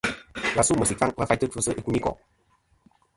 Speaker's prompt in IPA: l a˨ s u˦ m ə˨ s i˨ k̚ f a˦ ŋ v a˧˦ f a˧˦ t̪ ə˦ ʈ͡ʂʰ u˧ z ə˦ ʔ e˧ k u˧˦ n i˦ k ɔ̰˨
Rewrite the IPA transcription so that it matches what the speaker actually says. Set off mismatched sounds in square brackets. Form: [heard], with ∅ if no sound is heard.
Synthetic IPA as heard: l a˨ s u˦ m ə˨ s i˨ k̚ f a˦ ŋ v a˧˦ f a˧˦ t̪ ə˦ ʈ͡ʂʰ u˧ [s] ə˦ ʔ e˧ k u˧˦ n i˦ k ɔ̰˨